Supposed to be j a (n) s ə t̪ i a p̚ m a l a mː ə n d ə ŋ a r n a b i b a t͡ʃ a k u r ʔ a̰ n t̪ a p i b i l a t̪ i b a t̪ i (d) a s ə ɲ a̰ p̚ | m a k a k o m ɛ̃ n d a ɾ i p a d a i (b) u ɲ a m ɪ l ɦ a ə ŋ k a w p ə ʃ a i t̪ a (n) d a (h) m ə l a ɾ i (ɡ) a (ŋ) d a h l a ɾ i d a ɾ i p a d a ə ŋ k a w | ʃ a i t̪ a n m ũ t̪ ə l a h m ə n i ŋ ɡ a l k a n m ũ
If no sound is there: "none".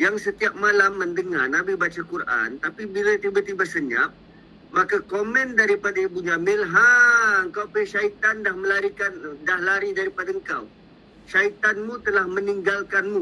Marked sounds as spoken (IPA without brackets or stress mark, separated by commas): ŋ, b, b, n, h, k, n